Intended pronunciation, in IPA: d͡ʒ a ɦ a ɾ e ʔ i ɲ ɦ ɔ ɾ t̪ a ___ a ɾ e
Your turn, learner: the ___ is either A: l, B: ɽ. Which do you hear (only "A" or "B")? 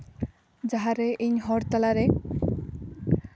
A